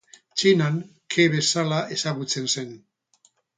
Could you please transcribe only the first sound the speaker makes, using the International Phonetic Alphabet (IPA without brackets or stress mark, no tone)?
t͡ʃ